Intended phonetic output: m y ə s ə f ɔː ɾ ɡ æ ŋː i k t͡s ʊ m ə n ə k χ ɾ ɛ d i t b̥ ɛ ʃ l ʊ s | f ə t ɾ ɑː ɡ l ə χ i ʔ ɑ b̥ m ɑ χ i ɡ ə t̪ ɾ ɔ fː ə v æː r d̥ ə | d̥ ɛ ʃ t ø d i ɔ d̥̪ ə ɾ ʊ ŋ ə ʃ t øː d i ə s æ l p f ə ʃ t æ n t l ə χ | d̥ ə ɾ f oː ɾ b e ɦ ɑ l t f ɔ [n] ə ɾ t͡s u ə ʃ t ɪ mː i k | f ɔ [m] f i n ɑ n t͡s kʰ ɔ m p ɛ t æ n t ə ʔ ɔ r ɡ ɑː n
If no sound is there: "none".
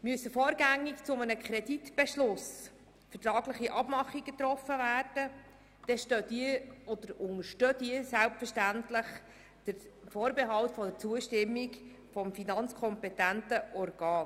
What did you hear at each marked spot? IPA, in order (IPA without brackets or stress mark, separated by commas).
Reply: d, m